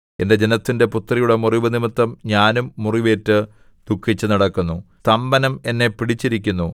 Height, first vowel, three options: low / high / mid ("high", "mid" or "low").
mid